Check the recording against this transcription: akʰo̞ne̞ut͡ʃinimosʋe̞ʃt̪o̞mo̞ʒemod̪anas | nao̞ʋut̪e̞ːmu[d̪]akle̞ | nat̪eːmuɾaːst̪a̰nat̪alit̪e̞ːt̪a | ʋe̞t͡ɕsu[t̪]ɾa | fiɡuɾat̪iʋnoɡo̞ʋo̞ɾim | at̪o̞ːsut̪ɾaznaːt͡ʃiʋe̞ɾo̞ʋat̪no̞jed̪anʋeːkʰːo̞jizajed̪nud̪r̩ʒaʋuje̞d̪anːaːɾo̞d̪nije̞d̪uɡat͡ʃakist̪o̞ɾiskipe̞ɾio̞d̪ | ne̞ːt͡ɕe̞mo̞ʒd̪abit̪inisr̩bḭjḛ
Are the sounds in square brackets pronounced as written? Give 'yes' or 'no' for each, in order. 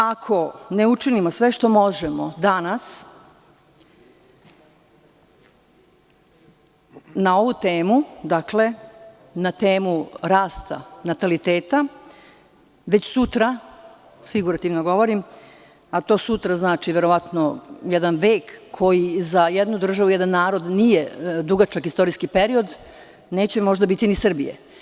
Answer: yes, yes

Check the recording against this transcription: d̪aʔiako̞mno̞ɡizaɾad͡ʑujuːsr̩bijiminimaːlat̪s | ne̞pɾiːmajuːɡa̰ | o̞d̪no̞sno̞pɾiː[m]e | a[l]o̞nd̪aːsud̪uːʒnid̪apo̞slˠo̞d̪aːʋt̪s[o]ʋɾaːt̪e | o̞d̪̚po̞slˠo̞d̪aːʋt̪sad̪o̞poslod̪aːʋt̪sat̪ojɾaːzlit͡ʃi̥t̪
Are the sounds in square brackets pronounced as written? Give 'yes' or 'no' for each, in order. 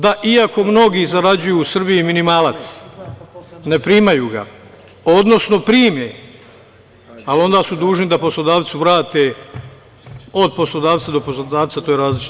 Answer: yes, yes, no

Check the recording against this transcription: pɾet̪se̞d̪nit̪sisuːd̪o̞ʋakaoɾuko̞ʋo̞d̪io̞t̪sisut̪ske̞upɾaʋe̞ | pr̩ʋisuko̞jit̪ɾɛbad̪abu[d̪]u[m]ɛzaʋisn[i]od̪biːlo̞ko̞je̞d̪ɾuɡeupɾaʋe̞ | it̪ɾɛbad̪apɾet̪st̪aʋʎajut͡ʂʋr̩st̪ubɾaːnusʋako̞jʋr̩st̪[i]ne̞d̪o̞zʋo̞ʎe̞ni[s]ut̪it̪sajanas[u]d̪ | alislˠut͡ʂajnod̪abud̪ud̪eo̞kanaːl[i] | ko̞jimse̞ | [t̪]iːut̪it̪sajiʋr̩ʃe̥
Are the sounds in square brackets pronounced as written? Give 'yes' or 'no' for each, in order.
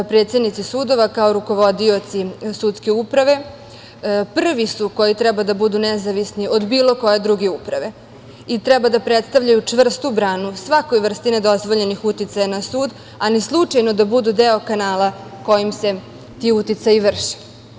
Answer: yes, no, yes, yes, no, no, no, yes

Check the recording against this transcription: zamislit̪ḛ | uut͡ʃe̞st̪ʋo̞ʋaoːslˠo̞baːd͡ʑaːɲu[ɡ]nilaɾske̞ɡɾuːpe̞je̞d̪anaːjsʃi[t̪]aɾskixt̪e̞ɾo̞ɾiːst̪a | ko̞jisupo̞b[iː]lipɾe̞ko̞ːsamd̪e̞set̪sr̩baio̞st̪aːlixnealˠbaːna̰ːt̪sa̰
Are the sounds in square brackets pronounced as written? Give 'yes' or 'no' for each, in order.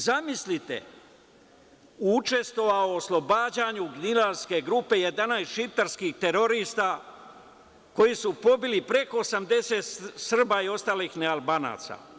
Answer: yes, yes, no

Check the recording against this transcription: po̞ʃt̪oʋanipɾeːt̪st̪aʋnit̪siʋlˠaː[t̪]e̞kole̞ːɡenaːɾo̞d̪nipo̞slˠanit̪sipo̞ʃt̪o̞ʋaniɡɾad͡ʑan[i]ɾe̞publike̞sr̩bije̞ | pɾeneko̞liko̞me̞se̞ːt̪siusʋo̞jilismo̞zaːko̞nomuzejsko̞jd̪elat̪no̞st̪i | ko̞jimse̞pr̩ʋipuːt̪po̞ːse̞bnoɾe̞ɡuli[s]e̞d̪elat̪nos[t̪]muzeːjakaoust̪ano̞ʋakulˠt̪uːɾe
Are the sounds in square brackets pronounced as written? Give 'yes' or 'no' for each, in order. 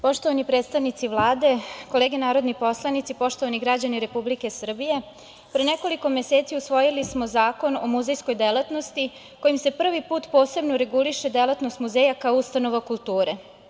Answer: no, yes, no, yes

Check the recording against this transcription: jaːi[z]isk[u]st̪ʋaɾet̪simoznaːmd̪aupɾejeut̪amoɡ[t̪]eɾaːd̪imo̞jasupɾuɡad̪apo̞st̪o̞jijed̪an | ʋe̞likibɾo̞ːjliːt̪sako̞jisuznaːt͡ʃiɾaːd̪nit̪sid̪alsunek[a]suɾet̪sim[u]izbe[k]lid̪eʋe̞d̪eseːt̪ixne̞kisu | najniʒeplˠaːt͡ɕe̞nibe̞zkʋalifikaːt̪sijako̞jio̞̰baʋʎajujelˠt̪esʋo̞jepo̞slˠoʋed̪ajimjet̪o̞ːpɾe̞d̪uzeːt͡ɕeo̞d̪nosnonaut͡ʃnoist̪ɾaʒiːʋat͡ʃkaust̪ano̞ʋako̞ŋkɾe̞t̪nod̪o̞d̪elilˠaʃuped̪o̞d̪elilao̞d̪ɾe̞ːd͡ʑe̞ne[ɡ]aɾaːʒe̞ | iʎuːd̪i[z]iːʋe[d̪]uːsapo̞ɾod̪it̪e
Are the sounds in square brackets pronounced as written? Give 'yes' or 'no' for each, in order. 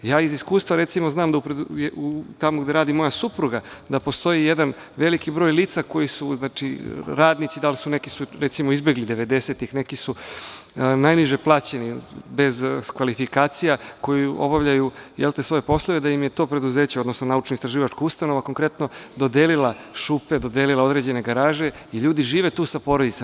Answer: yes, no, no, no, no, no, yes, no, no

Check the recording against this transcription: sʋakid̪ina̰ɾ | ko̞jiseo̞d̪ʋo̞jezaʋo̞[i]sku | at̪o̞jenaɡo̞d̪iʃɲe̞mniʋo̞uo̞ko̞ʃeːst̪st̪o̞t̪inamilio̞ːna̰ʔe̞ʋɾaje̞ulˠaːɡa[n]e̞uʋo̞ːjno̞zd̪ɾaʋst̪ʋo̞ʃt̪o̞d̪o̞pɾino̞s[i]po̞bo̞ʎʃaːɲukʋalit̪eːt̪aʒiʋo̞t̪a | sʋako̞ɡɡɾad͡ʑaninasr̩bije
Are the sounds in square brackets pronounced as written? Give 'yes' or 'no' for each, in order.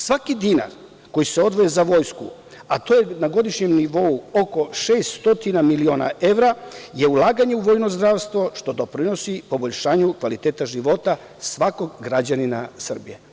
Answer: no, no, yes

